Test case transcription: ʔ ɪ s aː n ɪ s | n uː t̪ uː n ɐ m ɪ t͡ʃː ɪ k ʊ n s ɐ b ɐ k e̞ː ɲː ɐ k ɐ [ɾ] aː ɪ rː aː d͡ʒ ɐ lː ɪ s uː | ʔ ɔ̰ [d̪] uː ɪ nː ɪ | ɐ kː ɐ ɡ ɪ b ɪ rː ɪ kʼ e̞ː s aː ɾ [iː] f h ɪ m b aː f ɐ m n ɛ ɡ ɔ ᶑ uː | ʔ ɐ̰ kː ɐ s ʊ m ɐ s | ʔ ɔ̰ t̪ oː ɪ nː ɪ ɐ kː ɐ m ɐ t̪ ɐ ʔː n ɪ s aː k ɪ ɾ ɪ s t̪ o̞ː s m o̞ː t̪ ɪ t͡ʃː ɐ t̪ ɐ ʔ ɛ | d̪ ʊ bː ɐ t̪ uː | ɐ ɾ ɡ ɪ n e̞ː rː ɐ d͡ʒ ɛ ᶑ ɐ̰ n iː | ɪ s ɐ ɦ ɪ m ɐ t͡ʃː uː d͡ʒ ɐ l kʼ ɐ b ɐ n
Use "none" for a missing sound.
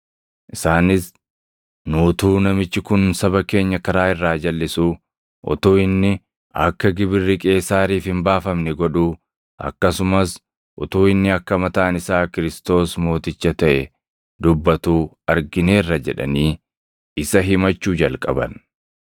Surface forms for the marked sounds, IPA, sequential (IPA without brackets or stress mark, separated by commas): ɾ, t̪, iː